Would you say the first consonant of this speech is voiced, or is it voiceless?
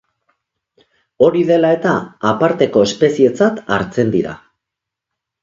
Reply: voiced